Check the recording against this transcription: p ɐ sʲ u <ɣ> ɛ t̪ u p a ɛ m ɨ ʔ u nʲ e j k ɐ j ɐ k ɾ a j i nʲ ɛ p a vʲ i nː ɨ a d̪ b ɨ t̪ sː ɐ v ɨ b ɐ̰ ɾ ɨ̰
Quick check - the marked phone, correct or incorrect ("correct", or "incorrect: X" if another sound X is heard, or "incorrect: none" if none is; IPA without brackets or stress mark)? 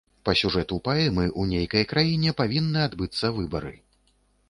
incorrect: ʐ